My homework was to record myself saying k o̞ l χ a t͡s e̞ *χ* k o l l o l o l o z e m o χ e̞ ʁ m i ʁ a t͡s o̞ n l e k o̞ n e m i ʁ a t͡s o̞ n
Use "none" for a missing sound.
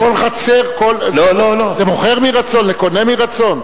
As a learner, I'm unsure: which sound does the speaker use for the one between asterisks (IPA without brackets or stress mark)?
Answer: ʁ